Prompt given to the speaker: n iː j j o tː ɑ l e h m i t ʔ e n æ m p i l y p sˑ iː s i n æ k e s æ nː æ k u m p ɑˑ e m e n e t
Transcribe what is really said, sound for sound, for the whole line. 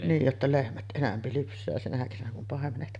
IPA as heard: n iː j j o tː ɑ l e h m æ t ʔ e n æ m p i l y p sˑ æː s i n æ k e s æ n æ k u m p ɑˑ e m e n e t